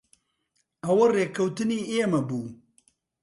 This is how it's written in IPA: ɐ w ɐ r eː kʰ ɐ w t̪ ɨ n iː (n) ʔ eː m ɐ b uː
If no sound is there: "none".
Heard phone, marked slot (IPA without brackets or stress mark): none